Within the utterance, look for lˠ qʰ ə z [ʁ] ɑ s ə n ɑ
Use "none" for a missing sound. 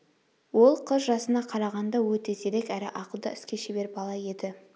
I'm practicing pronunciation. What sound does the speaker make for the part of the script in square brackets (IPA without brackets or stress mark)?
ʒ